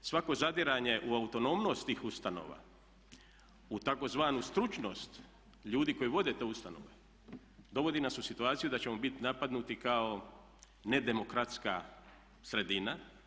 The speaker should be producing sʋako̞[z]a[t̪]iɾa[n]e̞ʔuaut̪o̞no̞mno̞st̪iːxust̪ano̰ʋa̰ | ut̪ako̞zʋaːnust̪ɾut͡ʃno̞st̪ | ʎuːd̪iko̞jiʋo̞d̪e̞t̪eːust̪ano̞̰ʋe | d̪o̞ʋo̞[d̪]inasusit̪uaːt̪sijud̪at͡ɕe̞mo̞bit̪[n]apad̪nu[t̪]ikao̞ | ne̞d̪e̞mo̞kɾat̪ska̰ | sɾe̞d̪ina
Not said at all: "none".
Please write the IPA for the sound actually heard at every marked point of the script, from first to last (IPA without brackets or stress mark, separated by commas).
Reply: z, d̪, ɲ, d̪, n, t̪